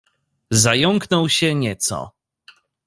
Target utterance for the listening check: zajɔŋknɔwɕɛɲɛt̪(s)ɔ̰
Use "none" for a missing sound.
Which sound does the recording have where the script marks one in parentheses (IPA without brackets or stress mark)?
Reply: s